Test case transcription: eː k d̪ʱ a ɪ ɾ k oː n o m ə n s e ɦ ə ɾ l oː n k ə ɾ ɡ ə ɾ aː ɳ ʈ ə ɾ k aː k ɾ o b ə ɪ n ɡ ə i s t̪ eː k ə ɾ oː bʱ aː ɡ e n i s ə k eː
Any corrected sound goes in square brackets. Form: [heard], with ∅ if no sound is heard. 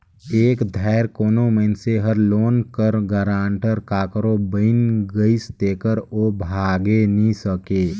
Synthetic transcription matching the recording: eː k d̪ʱ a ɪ ɾ k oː n o m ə n s e ɦ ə ɾ l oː n k ə ɾ ɡ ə ɾ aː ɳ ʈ ə ɾ k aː k ɾ o b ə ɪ n ɡ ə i s t̪ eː k ə ɾ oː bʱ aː ɡ e n i s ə k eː